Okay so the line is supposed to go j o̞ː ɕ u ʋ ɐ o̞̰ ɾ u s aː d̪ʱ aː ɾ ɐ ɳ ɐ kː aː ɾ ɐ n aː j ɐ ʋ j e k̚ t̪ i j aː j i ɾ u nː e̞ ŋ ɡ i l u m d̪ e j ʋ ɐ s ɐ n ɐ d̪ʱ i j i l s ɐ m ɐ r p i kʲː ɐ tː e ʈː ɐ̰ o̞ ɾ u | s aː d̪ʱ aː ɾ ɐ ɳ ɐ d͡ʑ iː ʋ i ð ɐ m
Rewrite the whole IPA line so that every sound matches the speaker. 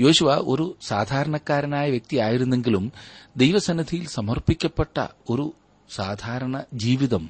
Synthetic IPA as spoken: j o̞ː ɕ u ʋ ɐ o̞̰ ɾ u s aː d̪ʱ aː ɾ ɐ ɳ ɐ kː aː ɾ ɐ n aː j ɐ ʋ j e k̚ t̪ i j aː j i ɾ u nː e̞ ŋ ɡ i l u m d̪ e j ʋ ɐ s ɐ n ɐ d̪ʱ i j i l s ɐ m ɐ r p i kʲː ɐ pː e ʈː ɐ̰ o̞ ɾ u | s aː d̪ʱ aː ɾ ɐ ɳ ɐ d͡ʑ iː ʋ i ð ɐ m